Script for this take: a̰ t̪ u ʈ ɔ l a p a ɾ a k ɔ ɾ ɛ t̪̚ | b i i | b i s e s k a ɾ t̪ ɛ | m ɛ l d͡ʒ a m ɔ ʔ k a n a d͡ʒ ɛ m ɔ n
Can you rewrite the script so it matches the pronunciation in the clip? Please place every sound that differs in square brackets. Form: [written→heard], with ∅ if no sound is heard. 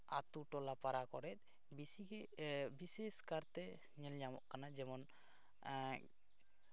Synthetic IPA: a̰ t̪ u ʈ ɔ l a p a ɾ a k ɔ ɾ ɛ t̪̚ | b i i | b i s e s k a ɾ t̪ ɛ | [m→ɲ] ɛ l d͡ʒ a m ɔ ʔ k a n a d͡ʒ ɛ m ɔ n